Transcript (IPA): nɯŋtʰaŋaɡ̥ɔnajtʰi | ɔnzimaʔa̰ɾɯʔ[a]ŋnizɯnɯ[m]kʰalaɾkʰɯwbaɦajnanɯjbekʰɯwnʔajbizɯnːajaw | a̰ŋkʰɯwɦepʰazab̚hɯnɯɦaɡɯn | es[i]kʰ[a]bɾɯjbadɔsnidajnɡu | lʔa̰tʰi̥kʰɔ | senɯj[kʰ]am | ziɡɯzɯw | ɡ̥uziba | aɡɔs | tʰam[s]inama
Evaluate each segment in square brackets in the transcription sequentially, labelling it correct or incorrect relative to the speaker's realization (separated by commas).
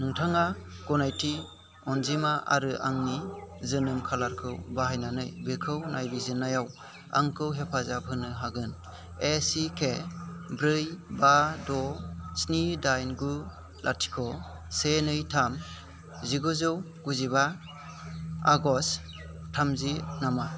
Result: correct, correct, correct, incorrect, incorrect, incorrect